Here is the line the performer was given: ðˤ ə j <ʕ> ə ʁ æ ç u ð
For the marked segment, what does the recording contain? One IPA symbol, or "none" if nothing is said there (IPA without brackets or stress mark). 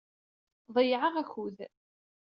ʕ